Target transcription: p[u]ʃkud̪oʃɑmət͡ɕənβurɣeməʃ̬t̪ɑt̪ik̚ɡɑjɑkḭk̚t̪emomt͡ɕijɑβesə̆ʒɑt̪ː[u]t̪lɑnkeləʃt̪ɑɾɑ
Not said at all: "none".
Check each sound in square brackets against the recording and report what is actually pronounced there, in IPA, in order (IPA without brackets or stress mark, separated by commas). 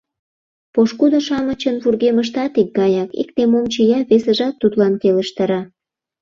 o, u